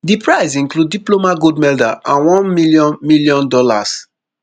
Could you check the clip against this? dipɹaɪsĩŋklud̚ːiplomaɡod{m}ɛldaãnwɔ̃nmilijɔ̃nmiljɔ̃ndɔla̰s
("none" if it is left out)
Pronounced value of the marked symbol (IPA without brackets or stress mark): m